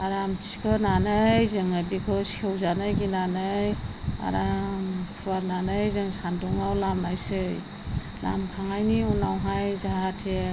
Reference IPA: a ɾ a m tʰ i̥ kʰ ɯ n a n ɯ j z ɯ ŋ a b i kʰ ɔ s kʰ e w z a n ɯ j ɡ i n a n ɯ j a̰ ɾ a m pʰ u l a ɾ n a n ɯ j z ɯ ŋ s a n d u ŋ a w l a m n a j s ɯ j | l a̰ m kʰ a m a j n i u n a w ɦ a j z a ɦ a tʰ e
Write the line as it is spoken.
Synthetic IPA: a ɾ a m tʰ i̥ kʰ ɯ n a n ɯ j z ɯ ŋ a b i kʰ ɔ s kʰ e w z a n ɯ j ɡ i n a n ɯ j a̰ ɾ a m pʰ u a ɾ n a n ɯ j z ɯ ŋ s a n d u ŋ a w l a m n a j s ɯ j | l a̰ m kʰ a ŋ a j n i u n a w ɦ a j z a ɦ a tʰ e